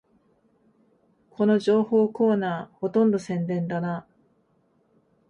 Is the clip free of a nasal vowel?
no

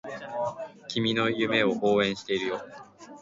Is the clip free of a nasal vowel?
no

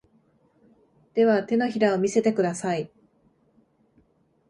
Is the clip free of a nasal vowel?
yes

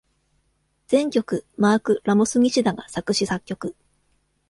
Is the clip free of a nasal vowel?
no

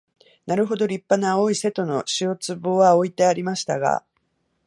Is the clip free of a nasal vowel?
yes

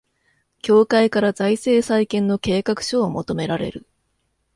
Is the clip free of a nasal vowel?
no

